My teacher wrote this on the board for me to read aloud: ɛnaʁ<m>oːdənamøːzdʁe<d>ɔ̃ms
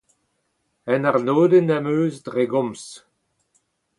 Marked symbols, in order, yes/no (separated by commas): no, no